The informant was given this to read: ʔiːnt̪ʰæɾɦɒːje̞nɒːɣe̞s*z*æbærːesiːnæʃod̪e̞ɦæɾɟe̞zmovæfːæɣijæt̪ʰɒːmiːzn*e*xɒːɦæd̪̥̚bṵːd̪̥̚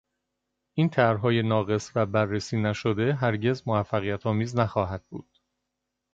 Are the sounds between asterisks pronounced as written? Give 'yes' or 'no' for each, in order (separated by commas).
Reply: no, no